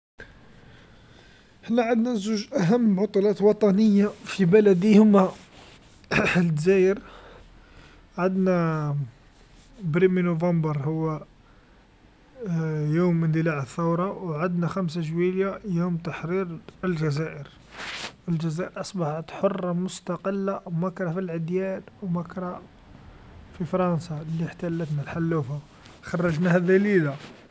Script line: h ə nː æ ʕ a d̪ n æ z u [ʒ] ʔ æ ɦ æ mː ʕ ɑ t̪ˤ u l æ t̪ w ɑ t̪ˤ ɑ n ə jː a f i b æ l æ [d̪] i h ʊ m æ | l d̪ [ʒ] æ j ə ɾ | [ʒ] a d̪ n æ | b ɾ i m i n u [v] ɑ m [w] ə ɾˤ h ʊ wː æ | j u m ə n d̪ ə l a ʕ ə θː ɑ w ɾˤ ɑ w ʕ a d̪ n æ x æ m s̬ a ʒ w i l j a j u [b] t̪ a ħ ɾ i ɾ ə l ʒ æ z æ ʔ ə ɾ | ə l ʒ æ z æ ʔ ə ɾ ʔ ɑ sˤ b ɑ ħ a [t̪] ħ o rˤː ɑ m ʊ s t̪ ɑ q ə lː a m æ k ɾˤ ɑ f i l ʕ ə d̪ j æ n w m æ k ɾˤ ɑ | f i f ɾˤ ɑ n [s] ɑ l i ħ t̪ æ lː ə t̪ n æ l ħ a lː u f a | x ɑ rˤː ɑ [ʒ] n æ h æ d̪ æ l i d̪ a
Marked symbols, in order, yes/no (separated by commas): yes, yes, no, no, yes, no, no, yes, yes, yes